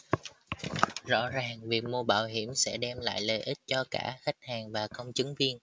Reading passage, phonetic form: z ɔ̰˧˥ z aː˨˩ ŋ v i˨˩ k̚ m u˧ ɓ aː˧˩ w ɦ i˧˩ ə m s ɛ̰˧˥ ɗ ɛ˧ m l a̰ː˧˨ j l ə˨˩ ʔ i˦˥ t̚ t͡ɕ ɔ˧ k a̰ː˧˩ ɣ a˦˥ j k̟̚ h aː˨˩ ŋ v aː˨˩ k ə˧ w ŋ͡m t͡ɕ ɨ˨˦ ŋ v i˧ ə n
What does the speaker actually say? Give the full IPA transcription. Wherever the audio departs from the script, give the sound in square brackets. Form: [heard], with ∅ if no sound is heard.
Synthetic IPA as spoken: z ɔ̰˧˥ z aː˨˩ ŋ v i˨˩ k̚ m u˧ ɓ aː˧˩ w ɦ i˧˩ ə m s ɛ̰˧˥ ɗ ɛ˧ m l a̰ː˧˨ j l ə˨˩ ʔ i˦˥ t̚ t͡ɕ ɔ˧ k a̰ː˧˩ [x] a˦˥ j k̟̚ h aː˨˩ ŋ v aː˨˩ k ə˧ w ŋ͡m t͡ɕ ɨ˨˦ ŋ v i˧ ə n